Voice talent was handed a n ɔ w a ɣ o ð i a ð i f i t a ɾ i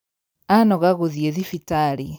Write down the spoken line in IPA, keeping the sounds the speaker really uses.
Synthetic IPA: a n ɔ ɣ a ɣ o ð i e ð i f i t a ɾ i